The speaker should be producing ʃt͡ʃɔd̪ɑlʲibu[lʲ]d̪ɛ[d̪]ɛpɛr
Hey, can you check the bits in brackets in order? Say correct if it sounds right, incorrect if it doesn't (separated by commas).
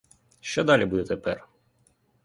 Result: incorrect, incorrect